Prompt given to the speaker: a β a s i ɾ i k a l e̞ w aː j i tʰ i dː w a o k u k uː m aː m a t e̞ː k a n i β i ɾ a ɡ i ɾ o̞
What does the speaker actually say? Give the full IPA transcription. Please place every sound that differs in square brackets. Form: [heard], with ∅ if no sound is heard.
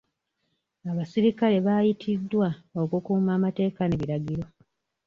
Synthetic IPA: a β a s i ɾ i k a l e̞ [β] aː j i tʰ i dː w a o k u k uː m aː m a t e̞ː k a n [e] β i ɾ a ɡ i ɾ o̞